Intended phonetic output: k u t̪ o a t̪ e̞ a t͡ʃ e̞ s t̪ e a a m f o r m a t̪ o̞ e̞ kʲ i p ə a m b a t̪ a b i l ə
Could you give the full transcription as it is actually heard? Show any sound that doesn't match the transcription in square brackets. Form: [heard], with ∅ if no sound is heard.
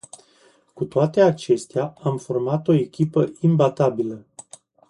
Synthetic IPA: k u t̪ o a t̪ e̞ a t͡ʃ e̞ s t̪ e a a m f o r m a t̪ o̞ e̞ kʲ i p ə [i] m b a t̪ a b i l ə